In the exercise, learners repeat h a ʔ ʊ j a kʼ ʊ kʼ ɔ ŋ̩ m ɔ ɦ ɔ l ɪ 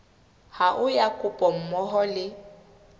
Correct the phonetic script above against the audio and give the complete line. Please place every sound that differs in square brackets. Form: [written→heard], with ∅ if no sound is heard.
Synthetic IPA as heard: h a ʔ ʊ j a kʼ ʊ [kʼ→pʼ] ɔ [ŋ̩→m̩] m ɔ ɦ ɔ l ɪ